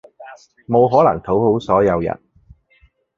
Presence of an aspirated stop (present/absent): present